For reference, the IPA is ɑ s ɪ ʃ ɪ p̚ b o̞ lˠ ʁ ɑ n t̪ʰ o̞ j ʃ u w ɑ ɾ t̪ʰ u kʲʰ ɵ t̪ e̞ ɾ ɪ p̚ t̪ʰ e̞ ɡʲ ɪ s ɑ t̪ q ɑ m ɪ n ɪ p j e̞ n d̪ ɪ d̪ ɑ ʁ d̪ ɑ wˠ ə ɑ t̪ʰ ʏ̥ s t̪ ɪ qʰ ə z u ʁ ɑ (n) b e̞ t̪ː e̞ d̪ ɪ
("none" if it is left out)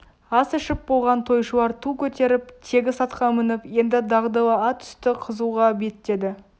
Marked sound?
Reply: none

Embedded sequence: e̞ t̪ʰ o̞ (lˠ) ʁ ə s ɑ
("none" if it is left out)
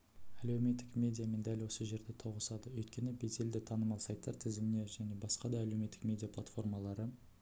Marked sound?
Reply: none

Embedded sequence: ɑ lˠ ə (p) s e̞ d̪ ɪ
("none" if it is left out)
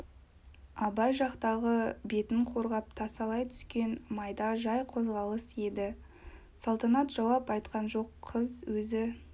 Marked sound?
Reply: none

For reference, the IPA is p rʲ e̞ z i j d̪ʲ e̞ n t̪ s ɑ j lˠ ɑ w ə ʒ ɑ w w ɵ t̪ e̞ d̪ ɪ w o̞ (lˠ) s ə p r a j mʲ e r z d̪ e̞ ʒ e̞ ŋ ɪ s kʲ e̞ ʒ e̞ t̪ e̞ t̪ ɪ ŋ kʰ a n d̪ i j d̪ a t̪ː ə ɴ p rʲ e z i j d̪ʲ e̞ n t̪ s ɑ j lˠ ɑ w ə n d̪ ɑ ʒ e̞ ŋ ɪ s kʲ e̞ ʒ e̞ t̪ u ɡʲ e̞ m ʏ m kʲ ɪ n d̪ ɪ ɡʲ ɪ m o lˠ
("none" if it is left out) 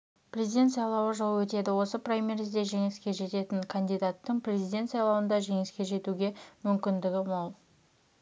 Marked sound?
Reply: none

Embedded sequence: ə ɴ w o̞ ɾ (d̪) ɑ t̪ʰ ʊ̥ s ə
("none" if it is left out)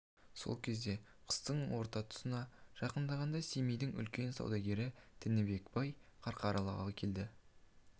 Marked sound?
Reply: t̪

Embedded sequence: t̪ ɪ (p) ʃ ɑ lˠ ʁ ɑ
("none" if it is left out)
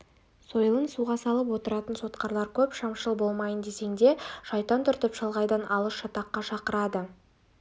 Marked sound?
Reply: p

